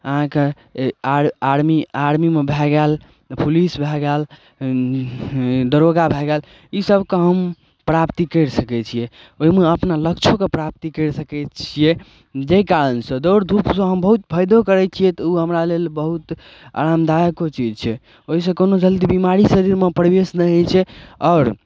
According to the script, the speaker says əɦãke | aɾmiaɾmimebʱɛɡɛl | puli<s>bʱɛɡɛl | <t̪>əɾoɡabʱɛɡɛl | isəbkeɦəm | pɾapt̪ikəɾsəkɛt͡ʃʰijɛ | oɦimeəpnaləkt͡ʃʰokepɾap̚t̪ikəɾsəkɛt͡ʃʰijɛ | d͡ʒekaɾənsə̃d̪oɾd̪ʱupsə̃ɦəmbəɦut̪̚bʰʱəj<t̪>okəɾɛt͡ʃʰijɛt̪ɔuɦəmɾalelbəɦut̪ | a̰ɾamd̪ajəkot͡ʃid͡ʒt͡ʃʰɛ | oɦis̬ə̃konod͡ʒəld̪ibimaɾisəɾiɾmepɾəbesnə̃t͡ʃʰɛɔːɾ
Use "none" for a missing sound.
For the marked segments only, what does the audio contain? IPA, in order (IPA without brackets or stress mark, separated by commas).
s, d̪, d̪